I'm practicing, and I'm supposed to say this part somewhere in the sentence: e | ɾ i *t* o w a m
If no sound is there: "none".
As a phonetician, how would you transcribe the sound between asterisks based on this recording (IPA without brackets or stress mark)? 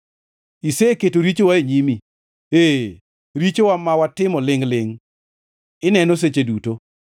t͡ʃ